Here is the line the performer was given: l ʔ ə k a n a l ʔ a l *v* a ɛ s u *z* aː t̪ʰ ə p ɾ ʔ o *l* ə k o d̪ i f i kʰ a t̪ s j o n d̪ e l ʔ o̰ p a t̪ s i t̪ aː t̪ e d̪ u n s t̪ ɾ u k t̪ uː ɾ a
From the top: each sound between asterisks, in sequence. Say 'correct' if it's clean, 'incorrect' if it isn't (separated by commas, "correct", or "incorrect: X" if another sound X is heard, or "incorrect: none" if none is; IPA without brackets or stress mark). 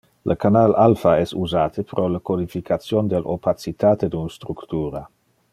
incorrect: f, correct, correct